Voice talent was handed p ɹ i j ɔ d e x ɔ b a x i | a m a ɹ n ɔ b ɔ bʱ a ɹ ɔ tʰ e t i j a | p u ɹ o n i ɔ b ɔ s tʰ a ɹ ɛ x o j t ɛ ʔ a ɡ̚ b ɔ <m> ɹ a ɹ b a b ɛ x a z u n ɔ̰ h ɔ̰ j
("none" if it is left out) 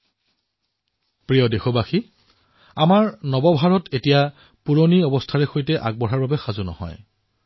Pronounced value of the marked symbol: none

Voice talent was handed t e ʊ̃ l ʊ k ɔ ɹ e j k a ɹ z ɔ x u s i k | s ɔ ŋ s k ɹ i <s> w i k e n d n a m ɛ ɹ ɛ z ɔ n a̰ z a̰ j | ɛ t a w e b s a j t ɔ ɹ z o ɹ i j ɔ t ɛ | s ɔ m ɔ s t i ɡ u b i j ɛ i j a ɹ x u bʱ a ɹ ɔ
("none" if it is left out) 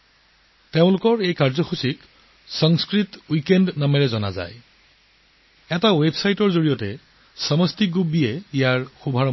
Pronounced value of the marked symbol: t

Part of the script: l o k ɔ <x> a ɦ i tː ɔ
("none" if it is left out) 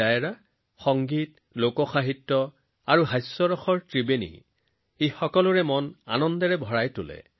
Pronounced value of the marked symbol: x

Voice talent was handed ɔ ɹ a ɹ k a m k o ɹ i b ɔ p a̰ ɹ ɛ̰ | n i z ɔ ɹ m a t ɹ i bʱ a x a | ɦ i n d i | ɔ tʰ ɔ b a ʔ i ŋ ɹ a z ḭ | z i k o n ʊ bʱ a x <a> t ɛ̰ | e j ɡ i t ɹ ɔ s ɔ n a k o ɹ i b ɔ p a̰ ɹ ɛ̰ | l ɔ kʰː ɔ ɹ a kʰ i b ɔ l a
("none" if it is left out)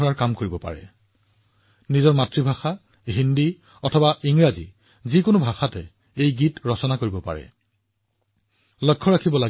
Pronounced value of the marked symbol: a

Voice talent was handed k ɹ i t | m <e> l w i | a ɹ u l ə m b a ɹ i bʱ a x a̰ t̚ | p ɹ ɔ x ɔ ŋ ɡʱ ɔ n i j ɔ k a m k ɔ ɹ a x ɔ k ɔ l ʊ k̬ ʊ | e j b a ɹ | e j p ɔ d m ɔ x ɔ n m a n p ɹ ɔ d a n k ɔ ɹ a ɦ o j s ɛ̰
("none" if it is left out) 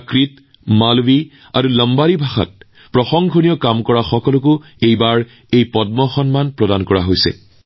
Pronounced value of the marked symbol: a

